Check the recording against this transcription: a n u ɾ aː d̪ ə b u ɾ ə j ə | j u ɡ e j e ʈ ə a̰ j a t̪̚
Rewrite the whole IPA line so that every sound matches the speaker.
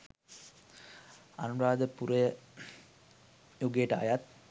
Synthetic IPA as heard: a n u ɾ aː d̪ ə p u ɾ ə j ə | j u ɡ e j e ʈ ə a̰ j a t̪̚